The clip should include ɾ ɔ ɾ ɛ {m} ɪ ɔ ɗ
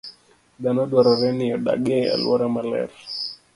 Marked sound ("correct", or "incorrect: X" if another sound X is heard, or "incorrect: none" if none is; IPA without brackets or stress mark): incorrect: n